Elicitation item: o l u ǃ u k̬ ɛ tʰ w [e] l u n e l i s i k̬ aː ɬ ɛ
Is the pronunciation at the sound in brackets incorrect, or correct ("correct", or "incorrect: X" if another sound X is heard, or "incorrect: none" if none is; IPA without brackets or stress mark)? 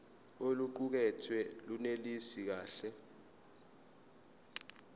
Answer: incorrect: ɛ